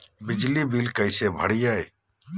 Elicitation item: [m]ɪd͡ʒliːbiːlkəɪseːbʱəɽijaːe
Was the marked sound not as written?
yes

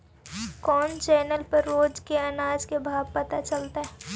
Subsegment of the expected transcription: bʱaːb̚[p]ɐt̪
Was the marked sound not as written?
no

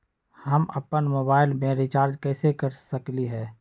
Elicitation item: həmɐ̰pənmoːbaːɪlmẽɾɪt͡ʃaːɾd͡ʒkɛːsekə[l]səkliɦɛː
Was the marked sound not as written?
yes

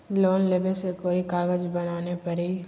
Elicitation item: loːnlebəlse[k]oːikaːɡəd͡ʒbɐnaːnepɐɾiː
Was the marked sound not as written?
no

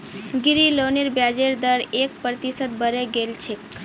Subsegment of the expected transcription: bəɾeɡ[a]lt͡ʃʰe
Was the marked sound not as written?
yes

